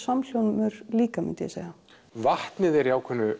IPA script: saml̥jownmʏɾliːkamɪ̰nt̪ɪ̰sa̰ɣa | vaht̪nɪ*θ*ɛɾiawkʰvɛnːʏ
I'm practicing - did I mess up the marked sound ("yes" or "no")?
yes